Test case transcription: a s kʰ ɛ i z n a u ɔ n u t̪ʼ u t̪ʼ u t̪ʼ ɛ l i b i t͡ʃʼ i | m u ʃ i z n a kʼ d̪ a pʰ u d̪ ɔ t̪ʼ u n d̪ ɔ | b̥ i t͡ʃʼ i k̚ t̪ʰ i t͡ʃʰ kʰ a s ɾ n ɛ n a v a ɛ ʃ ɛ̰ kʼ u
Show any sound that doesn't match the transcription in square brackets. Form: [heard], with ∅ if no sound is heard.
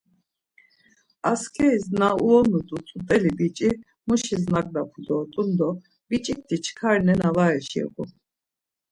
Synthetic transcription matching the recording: a s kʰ ɛ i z n a u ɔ n u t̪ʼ u t̪ʼ u t̪ʼ ɛ l i b i t͡ʃʼ i | m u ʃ i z n a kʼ d̪ a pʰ u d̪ ɔ t̪ʼ u n d̪ ɔ | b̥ i t͡ʃʼ i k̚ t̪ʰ i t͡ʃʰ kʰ a [∅] ɾ n ɛ n a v a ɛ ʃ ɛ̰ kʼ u